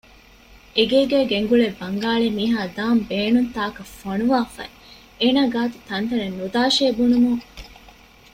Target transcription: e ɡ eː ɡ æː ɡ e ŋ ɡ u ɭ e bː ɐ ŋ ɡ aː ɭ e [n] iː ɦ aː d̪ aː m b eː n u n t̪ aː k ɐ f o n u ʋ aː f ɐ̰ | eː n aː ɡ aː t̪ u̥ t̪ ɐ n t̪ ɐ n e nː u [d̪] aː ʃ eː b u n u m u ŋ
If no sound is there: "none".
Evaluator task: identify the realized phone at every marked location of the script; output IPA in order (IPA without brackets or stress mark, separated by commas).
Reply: m, d̪